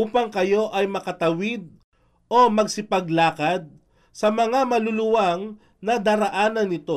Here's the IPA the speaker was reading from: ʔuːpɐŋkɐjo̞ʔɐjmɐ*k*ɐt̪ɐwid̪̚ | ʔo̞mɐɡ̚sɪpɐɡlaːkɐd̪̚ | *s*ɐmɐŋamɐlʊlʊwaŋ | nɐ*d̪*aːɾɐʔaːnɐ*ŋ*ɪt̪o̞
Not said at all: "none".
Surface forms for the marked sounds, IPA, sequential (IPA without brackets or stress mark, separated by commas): k, s, d̪, n